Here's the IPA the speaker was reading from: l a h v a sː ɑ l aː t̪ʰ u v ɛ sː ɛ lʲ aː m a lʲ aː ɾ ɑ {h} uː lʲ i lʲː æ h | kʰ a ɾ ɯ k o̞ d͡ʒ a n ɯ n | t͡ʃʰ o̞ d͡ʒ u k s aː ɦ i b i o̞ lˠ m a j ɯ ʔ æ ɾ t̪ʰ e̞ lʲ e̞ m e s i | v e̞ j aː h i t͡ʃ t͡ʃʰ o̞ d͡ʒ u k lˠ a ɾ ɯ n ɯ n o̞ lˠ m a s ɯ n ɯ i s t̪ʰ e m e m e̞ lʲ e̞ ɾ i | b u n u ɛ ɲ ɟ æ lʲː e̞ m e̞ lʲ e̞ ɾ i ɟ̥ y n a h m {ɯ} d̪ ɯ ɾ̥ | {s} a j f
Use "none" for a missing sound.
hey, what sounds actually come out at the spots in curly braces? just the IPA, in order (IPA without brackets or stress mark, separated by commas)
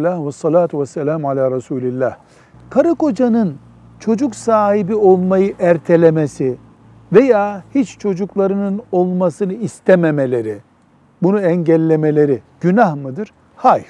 s, ɯ, h